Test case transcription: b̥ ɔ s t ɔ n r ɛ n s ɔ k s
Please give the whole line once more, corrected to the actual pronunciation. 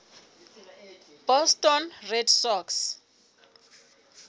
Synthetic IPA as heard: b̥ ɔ s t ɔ n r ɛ d s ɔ k s